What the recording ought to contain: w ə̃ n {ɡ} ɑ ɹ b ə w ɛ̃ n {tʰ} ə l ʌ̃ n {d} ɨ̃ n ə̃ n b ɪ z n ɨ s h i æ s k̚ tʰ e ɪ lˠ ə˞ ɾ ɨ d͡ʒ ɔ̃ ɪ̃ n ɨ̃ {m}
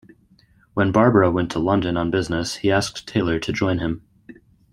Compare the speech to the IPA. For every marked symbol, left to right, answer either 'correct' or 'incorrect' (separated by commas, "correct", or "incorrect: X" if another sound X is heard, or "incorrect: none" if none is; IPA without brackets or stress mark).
incorrect: b, correct, correct, correct